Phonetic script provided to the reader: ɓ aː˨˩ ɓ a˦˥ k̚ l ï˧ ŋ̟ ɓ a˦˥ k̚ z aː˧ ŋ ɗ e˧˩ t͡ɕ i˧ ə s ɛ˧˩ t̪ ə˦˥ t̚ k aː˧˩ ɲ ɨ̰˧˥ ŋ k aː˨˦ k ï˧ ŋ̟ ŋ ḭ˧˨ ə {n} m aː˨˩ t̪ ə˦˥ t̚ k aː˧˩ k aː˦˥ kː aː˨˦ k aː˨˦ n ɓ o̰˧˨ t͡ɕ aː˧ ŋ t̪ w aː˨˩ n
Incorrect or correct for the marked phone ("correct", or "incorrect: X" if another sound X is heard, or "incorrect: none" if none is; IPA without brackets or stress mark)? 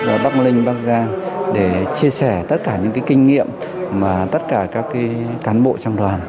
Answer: incorrect: m